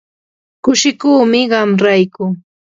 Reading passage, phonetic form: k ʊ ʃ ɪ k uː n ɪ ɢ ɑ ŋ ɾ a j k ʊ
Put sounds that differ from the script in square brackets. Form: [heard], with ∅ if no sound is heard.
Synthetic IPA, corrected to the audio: k ʊ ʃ ɪ k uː [m] ɪ ɢ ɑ [m] ɾ a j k ʊ